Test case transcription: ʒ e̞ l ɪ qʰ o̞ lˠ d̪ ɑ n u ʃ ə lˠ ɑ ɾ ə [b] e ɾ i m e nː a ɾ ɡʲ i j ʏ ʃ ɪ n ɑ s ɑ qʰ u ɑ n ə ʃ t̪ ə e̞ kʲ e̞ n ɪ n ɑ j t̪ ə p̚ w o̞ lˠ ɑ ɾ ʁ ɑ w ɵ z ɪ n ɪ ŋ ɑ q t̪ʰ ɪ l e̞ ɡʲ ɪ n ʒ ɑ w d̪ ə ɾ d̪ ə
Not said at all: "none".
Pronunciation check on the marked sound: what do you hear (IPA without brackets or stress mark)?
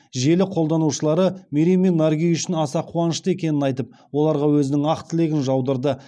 m